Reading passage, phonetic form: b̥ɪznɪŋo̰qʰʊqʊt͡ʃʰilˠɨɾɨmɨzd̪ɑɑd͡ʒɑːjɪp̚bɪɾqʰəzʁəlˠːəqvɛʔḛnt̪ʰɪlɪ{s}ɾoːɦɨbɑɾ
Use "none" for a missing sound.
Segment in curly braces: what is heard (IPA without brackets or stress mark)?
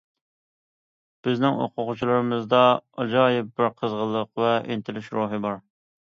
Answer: ʃ